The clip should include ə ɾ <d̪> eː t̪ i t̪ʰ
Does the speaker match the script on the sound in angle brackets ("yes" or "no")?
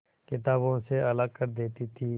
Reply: yes